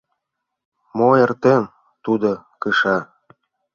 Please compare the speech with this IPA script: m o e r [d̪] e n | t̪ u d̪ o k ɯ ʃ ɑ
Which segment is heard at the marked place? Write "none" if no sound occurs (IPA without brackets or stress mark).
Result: t̪